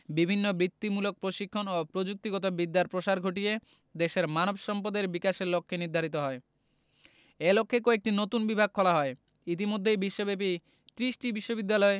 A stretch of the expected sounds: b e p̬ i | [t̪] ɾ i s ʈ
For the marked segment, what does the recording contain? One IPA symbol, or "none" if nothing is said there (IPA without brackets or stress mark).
t̪